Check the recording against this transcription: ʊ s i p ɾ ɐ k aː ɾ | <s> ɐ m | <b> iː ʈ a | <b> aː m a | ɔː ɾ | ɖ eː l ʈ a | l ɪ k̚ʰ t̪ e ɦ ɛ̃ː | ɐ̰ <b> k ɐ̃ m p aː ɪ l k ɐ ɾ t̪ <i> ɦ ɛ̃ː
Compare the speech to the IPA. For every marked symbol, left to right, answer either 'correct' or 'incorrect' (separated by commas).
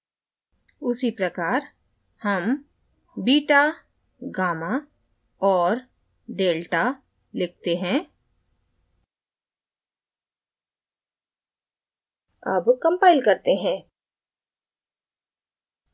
incorrect, correct, incorrect, correct, incorrect